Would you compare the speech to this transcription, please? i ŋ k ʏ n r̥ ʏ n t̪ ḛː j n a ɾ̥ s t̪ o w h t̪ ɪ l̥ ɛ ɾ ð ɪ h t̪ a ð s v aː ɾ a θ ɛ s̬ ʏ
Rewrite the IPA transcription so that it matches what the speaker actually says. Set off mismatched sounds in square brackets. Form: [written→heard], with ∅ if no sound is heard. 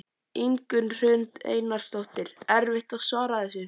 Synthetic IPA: i ŋ k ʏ n r̥ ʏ n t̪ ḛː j n a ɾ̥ s t̪ o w h t̪ ɪ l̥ ɛ ɾ [ð→v] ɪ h t̪ a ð s v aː ɾ a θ ɛ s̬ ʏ